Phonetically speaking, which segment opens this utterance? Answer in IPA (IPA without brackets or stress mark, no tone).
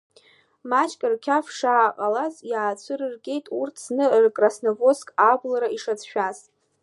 m